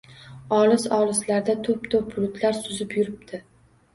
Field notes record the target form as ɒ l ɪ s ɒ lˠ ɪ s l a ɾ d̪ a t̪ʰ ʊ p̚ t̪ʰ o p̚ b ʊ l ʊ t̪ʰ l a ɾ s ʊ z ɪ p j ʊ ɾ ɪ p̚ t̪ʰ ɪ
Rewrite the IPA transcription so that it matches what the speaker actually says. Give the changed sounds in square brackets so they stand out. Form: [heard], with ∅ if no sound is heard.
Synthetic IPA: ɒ l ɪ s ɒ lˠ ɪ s l a ɾ d̪ a t̪ʰ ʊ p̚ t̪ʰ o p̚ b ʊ l ʊ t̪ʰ l a ɾ s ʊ z ɪ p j ʊ ɾ ɪ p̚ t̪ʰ ɪ

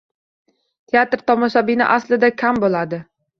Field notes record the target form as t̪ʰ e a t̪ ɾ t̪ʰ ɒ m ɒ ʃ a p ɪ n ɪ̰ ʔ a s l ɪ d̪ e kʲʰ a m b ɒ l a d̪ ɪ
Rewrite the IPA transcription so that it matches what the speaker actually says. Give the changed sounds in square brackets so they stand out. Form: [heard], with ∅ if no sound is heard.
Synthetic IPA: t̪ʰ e a t̪ ɾ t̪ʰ ɒ m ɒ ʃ a [b] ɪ n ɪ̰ ʔ a s l ɪ d̪ [a] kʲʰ a m b [o] l a d̪ ɪ

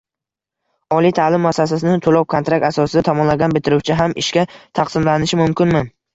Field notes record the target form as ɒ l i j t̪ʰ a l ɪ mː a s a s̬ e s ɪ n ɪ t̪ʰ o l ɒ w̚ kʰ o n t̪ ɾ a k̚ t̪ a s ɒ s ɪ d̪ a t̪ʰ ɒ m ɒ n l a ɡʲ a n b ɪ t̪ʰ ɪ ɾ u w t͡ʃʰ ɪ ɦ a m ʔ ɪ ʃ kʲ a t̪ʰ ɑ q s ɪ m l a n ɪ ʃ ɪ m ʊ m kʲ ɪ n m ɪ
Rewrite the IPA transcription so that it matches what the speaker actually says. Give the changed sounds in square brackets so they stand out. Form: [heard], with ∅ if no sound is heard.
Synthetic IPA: ɒ l i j t̪ʰ a l ɪ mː a s a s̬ [a] s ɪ n ɪ t̪ʰ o l ɒ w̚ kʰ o n t̪ ɾ a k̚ t̪ a s ɒ s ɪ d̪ a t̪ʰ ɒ m ɒ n l a ɡʲ a n b ɪ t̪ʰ ɪ ɾ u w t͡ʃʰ ɪ ɦ a m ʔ ɪ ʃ kʲ a t̪ʰ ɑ q s ɪ m l a n ɪ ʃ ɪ m ʊ m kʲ ɪ n m ɪ

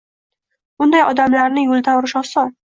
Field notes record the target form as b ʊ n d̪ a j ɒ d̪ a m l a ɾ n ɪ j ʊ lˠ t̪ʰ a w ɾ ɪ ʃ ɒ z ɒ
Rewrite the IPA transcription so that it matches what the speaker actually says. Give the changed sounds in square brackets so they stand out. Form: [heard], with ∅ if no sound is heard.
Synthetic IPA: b ʊ n d̪ a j ɒ d̪ a m l a ɾ n ɪ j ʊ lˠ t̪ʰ a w ɾ ɪ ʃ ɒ [s] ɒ

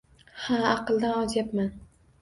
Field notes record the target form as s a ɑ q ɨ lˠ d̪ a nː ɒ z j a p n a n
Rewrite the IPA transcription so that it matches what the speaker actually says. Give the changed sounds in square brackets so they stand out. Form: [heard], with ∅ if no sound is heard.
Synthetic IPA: [h] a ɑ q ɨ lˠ d̪ a [n] ɒ z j a p [m] a n

